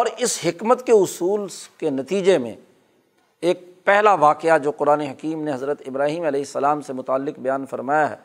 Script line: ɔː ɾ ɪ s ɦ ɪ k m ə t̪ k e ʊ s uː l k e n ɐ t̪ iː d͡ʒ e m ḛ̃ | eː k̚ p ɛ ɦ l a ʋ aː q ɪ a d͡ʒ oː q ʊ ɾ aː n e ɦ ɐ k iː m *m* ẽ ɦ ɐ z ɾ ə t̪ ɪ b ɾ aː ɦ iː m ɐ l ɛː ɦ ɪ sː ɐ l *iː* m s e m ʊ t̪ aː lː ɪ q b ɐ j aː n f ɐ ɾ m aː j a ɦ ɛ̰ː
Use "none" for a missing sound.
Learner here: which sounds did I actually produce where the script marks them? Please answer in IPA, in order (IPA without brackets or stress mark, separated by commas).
n, aː